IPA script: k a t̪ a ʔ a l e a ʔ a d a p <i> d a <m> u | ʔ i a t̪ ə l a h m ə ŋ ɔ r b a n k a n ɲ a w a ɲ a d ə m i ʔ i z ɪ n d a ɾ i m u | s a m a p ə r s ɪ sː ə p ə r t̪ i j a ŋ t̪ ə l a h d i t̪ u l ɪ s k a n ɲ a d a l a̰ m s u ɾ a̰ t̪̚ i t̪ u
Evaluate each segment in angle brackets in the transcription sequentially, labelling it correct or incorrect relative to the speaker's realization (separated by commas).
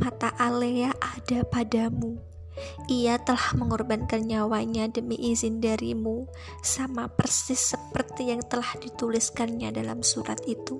incorrect, correct